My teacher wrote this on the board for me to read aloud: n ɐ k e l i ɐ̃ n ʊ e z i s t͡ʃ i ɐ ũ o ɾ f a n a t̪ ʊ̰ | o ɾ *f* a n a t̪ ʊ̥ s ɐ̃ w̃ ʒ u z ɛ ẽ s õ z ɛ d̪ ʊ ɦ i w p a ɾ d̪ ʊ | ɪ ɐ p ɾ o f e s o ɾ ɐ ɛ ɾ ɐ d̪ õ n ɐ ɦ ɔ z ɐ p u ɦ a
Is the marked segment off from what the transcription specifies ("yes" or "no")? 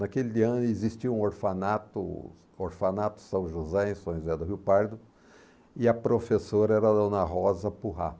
no